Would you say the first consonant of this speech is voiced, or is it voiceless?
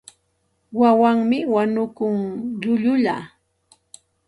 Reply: voiced